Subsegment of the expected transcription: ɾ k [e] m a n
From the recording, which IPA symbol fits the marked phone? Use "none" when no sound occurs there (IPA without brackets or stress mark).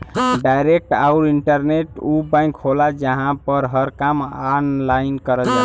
a